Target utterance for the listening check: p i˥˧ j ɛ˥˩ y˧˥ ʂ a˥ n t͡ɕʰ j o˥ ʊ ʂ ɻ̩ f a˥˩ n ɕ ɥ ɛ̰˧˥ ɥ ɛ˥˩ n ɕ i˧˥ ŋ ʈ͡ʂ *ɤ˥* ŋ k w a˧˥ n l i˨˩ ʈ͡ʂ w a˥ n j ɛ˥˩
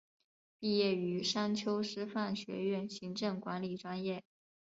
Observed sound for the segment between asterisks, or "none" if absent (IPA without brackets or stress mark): ɤ˥˩